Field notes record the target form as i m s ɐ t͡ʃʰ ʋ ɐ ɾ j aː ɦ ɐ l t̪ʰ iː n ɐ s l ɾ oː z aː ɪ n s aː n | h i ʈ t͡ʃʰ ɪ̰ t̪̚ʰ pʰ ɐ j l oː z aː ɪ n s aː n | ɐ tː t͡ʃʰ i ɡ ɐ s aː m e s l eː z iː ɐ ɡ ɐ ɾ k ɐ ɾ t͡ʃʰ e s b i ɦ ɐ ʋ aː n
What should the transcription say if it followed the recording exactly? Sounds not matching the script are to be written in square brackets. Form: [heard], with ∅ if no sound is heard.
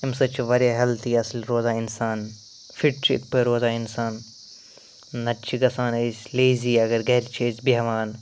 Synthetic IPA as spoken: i m s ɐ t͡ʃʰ ʋ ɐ ɾ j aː ɦ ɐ l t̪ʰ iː [∅] ɐ s l ɾ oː z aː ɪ n s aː n | [f] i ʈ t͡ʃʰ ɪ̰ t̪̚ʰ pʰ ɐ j [ɾ] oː z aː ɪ n s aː n | ɐ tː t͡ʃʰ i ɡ ɐ s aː [n] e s l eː z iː ɐ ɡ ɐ ɾ [ɡ] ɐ ɾ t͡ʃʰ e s b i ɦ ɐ ʋ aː n